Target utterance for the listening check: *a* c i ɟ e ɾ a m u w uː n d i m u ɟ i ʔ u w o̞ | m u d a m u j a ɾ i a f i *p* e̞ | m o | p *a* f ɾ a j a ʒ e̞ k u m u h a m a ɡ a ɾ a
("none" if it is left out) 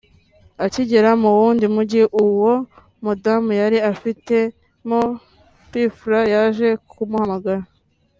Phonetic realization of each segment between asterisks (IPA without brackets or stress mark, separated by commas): a, t, i